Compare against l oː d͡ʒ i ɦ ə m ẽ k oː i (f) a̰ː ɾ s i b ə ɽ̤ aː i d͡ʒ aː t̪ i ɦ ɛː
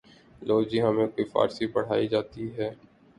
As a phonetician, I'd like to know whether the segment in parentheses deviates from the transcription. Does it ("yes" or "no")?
no